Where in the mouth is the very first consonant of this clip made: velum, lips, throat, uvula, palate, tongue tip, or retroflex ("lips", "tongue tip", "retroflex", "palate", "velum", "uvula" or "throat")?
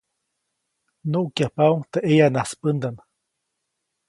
tongue tip